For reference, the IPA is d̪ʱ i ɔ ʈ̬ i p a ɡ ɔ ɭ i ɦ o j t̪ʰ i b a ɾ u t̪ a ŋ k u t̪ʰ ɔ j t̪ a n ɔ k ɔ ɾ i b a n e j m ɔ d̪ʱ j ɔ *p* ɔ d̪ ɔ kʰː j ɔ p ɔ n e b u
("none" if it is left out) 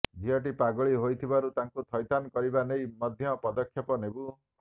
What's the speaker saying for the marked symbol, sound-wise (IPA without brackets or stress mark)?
p